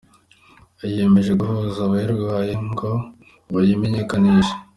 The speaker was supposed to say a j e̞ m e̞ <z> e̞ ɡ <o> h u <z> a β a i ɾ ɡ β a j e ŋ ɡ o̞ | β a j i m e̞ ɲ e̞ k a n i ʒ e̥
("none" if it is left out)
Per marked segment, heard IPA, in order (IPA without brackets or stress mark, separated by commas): ʒ, u, z